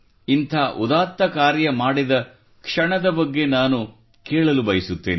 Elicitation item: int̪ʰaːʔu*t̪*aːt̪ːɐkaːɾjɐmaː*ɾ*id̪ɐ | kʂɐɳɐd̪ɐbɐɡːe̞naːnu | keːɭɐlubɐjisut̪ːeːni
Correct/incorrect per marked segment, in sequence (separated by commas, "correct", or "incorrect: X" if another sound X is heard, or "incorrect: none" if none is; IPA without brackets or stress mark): incorrect: d̪, incorrect: ɽ